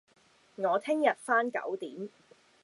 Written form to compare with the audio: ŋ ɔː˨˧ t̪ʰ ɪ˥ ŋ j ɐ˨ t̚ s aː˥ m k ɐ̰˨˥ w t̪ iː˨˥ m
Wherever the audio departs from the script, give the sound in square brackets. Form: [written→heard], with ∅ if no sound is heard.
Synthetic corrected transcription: ŋ ɔː˨˧ t̪ʰ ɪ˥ ŋ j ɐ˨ t̚ [s→f] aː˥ [m→n] k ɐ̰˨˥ w t̪ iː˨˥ m